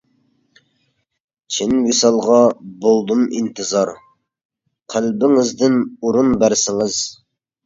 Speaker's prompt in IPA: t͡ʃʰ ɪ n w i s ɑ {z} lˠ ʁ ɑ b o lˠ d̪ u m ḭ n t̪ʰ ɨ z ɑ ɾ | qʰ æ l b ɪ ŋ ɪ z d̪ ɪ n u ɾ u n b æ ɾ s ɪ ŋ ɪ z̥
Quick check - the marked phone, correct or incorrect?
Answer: incorrect